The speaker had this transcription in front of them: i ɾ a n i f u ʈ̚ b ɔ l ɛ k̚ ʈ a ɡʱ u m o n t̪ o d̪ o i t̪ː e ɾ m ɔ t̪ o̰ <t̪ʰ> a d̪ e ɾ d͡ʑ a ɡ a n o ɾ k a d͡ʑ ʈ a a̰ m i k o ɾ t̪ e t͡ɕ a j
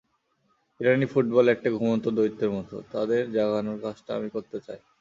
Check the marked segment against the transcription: incorrect: t̪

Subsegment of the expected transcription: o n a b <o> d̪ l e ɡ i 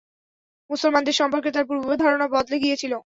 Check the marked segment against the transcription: incorrect: ɔ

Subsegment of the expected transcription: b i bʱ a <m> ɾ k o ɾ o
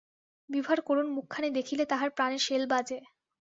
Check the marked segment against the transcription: incorrect: none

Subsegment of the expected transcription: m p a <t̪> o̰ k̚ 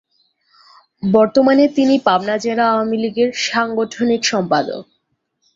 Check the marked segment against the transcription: incorrect: d̪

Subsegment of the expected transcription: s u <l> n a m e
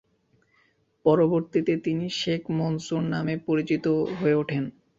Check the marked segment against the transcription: incorrect: ɾ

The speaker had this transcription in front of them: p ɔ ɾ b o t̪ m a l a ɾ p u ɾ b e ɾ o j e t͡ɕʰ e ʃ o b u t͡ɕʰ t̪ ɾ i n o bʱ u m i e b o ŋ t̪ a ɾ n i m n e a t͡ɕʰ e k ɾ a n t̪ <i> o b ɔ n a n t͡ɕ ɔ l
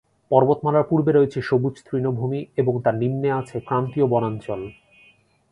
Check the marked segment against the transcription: correct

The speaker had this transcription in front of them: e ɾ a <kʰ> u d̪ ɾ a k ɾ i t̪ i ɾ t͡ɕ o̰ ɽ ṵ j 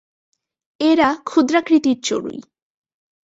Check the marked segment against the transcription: correct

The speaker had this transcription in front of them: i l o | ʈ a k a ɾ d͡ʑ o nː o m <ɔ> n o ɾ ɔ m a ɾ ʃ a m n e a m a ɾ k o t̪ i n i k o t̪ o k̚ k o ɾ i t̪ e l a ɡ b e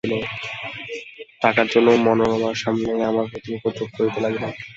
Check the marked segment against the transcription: correct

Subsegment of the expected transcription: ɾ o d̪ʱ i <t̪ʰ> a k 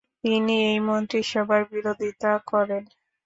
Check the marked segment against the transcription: incorrect: t̪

